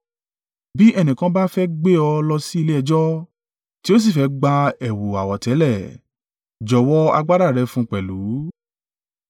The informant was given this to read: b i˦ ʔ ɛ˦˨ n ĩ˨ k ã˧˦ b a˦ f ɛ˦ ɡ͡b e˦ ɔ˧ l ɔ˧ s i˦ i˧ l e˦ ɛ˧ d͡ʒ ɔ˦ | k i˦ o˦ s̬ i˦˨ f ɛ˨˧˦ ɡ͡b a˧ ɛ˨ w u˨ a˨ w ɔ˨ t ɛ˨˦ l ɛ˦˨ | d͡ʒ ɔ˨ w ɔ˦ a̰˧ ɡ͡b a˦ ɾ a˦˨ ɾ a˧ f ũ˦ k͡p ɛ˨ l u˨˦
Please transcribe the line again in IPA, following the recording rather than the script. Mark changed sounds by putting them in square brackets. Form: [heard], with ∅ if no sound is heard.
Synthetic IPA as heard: b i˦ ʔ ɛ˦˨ n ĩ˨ k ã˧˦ b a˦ f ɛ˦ ɡ͡b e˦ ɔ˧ l ɔ˧ s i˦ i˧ l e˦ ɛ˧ d͡ʒ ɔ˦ | [t] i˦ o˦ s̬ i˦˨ f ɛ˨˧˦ ɡ͡b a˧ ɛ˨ w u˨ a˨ w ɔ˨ t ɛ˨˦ l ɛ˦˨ | d͡ʒ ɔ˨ w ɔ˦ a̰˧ ɡ͡b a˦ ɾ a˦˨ ɾ [ɛ˧] f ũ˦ k͡p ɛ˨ l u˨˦

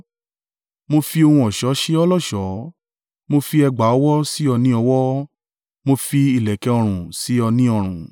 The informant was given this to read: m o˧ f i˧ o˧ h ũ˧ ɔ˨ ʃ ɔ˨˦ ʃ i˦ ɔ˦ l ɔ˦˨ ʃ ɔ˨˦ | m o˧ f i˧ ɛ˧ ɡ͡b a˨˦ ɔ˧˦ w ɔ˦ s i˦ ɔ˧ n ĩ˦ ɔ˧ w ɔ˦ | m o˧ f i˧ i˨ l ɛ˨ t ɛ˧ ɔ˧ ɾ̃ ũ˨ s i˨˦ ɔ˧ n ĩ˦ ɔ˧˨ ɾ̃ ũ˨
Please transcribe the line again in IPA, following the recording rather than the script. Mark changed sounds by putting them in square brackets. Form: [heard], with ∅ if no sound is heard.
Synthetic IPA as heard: m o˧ f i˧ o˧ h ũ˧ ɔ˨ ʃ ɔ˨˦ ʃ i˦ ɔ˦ l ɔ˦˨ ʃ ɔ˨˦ | m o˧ f i˧ ɛ˧ ɡ͡b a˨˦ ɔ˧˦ w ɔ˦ s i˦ ɔ˧ n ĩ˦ ɔ˧ w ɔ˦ | m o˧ f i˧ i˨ l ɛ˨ [k] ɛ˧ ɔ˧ ɾ̃ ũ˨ s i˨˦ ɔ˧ n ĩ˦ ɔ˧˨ ɾ̃ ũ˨

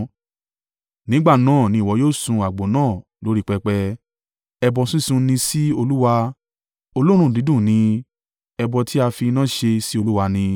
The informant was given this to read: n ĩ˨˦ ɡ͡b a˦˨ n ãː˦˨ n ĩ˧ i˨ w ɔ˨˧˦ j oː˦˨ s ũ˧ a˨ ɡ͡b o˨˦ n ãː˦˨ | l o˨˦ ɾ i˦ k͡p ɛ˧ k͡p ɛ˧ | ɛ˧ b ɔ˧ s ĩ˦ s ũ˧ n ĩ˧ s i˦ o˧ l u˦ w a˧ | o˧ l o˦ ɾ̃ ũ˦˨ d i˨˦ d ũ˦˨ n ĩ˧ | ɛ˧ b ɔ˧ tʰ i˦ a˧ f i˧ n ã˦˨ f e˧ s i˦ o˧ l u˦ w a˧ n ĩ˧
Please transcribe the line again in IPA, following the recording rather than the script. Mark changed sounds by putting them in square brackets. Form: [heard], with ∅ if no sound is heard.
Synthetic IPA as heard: n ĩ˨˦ ɡ͡b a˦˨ n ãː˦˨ n ĩ˧ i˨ w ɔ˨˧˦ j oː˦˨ s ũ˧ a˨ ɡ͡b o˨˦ n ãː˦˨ | l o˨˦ ɾ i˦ k͡p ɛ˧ k͡p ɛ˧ | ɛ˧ b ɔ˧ s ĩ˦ s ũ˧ n ĩ˧ s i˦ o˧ l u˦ w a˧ | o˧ l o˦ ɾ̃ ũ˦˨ d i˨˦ d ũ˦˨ n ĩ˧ | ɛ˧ b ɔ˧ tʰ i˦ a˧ f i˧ n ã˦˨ [ʃ] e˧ s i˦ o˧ l u˦ w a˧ n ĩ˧

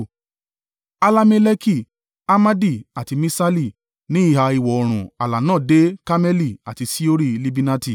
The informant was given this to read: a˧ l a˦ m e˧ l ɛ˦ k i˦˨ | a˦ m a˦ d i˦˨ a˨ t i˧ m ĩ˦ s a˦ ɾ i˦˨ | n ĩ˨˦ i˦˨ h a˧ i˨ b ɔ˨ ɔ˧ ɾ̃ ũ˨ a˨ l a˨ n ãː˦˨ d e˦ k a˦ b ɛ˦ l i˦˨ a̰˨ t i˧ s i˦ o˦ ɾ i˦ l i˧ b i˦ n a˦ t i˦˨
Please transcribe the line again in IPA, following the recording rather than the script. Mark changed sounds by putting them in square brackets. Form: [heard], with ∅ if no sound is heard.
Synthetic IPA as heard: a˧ l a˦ m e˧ l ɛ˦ k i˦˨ | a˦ m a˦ d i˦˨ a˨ t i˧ m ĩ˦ s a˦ [l] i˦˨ | n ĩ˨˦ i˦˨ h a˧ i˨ [w] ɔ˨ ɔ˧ ɾ̃ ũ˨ a˨ l a˨ n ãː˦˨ d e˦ k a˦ [m] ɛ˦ l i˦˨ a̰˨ t i˧ s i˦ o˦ ɾ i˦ l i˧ b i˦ n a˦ t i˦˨

